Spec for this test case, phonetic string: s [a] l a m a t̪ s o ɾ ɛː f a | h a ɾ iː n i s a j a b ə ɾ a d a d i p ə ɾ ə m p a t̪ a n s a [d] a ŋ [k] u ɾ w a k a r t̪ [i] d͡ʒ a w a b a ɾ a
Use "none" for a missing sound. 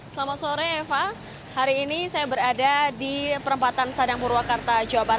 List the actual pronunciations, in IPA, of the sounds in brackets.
ə, d, p, a

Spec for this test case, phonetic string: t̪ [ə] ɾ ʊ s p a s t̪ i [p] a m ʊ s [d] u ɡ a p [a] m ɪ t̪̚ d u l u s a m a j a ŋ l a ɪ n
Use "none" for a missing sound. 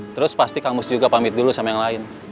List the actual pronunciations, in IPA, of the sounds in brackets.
ə, k, d͡ʒ, a

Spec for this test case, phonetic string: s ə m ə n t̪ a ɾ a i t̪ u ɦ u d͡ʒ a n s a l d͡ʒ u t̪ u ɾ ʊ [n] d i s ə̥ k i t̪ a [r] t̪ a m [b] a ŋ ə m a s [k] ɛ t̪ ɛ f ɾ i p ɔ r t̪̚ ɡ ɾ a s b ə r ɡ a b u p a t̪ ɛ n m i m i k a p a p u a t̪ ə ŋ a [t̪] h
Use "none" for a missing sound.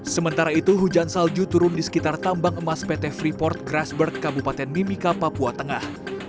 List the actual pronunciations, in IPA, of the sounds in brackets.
n, r, b, p, none

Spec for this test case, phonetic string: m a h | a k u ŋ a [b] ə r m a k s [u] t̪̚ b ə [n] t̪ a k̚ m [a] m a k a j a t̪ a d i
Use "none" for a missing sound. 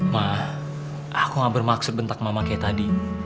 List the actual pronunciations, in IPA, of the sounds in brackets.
b, ʊ, n, a

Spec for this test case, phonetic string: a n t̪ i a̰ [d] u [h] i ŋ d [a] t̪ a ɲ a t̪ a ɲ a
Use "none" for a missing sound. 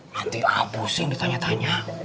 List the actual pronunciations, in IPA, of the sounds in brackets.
b, s, i

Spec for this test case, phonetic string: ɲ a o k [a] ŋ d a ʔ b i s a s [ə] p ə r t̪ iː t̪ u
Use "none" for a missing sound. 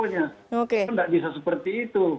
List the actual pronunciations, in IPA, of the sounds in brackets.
e, ə

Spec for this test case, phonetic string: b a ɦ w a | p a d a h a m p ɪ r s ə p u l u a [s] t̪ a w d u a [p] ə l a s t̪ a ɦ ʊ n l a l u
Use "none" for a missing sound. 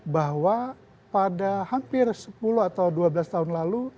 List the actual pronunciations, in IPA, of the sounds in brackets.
none, b

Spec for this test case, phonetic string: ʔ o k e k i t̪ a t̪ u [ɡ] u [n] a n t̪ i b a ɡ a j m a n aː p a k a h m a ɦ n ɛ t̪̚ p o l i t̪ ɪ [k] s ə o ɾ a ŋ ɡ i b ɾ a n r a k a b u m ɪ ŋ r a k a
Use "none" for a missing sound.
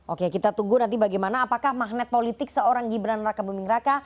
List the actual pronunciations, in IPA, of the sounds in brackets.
ɡ, n, k

